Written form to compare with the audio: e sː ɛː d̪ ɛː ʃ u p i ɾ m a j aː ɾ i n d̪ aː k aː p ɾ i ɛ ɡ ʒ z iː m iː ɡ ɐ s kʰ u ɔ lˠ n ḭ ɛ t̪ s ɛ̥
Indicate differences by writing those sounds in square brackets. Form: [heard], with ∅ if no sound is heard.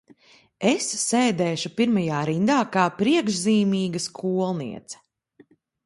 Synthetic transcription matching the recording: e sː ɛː d̪ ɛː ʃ u p i ɾ m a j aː ɾ i n d̪ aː k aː p ɾ i ɛ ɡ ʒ z iː m iː ɡ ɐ s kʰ u ɔ lˠ n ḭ ɛ t̪ s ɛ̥